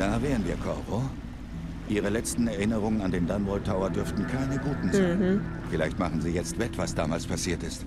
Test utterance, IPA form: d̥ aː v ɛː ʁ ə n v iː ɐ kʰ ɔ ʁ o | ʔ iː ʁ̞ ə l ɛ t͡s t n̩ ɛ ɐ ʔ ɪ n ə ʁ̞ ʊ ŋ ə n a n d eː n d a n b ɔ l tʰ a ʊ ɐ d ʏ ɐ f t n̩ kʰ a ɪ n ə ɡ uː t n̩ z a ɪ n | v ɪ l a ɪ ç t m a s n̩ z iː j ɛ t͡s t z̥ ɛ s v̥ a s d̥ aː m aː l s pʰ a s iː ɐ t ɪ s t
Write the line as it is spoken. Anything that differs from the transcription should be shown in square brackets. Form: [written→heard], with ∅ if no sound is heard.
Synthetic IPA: d̥ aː v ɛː ʁ ə n v iː ɐ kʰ ɔ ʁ o | ʔ iː ʁ̞ ə l ɛ t͡s t n̩ ɛ ɐ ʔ ɪ n ə ʁ̞ ʊ ŋ ə n a n d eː n d a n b ɔ l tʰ a ʊ ɐ d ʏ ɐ f t n̩ kʰ a ɪ n ə ɡ uː t n̩ z a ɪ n | [v→f] ɪ l a ɪ ç t m a [s→χ] n̩ z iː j ɛ t͡s t [z̥→v̥] ɛ [s→t] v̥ a s d̥ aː m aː l s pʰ a s iː ɐ t ɪ s t